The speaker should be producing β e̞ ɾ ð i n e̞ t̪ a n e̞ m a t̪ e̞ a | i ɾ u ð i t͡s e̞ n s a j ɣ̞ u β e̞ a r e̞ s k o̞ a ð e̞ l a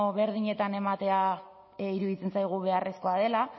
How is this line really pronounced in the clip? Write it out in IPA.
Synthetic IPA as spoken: β e̞ ɾ ð i ɲ e̞ t̪ a n e̞ m a t̪ e̞ a | i ɾ u ð i t͡s e̞ n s a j ɣ̞ u β e̞ a r e̞ s k o̞ a ð e̞ l a